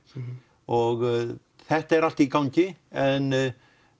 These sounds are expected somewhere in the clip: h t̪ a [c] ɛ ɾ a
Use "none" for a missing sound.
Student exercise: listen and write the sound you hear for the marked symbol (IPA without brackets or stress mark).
none